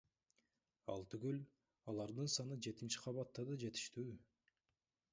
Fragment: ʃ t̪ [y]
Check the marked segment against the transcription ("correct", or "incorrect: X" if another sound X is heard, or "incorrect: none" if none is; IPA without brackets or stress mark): incorrect: yː